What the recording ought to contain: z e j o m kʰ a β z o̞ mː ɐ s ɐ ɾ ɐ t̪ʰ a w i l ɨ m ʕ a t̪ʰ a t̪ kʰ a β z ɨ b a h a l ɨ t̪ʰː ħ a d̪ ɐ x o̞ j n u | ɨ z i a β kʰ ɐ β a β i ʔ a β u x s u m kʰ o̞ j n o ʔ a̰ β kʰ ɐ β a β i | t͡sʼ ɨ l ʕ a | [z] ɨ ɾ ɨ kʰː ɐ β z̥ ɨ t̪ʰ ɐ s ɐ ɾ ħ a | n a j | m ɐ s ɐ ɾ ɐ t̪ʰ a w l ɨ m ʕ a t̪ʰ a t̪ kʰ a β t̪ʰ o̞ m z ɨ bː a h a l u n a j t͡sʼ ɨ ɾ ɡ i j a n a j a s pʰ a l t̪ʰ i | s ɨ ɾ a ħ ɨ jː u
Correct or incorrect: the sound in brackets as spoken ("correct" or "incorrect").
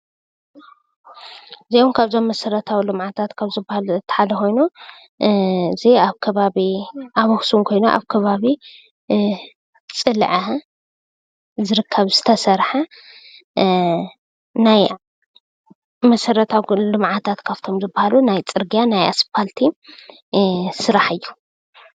correct